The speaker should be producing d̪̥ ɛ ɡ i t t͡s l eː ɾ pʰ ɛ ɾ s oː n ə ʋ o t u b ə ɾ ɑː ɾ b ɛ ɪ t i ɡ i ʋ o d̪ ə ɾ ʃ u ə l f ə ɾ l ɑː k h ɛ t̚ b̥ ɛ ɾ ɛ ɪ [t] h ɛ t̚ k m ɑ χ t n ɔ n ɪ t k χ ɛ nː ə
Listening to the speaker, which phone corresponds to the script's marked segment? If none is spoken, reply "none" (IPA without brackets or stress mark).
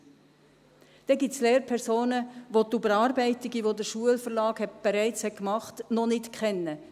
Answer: t͡s